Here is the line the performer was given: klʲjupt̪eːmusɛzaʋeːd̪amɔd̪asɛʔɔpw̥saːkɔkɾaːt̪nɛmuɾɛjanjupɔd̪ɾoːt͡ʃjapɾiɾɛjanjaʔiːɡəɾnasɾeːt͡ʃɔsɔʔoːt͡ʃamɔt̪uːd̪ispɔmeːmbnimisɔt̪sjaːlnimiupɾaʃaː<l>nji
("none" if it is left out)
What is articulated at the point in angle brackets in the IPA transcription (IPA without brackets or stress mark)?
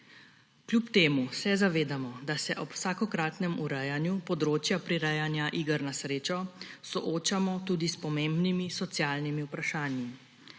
none